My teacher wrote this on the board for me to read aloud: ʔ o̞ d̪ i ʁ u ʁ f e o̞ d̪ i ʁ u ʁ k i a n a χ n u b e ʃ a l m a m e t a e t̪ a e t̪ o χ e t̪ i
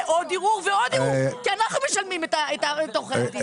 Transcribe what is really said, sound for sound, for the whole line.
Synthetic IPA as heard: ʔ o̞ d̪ i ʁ u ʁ v e o̞ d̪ i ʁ u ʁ k i a n a χ n u m e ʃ a l m i m e t a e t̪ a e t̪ o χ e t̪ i